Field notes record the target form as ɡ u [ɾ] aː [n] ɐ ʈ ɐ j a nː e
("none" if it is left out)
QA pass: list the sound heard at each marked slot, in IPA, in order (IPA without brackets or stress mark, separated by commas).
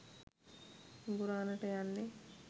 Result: ɾ, n